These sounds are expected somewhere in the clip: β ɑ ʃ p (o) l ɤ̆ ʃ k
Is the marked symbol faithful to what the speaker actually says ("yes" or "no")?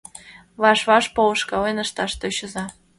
yes